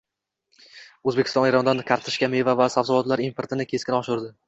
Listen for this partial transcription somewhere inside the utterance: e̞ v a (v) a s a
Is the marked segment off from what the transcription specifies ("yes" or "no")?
no